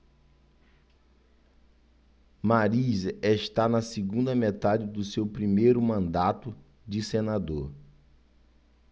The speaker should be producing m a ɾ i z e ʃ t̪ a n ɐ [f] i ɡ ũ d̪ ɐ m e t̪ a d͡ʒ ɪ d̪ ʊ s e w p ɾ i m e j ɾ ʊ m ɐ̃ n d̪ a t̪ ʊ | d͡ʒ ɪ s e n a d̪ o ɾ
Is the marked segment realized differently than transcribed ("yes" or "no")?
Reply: yes